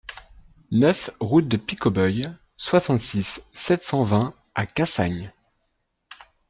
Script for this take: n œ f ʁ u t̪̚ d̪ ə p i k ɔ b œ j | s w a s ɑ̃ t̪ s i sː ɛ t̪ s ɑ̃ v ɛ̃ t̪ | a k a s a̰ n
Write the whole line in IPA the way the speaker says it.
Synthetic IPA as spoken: n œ f ʁ u t̪̚ d̪ ə p i k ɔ b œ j | s w a s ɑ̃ t̪ s i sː ɛ t̪ s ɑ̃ v ɛ̃ | a k a s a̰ ɲ